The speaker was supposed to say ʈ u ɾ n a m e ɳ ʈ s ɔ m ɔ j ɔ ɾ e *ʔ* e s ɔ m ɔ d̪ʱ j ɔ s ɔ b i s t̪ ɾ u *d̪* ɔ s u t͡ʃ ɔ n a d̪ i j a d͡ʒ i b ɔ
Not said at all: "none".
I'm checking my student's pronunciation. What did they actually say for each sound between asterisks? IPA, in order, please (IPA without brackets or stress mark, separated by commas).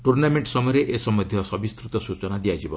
ʔ, t̪